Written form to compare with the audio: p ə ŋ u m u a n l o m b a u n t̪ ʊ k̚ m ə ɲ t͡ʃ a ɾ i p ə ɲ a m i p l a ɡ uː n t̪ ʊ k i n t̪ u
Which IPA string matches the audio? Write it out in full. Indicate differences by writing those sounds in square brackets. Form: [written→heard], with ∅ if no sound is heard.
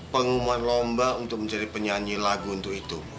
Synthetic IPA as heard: p ə ŋ u m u a n l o m b a u n t̪ ʊ k̚ m ə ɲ t͡ʃ a ɾ i p ə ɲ a [m→ɲ] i [p→∅] l a ɡ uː n t̪ ʊ k i [n→∅] t̪ u